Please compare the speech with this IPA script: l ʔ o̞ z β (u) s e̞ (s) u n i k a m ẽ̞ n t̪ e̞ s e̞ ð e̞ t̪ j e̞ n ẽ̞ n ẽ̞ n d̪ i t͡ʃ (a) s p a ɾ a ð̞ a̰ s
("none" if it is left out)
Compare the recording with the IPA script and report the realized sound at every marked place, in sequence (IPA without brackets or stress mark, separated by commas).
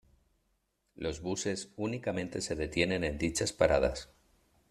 u, s, a